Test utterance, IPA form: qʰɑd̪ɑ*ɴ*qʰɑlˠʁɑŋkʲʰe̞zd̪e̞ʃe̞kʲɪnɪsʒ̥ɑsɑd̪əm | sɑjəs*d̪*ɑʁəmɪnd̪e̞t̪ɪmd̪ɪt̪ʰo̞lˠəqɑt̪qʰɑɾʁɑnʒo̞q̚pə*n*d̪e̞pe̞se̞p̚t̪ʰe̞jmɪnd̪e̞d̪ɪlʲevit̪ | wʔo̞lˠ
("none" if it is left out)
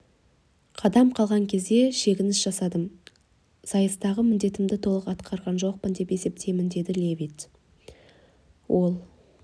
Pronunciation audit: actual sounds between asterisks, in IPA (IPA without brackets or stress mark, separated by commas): m, t̪, n